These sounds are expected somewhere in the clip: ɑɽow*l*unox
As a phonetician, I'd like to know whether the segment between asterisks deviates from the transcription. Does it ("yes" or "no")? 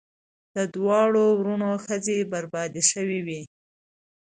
yes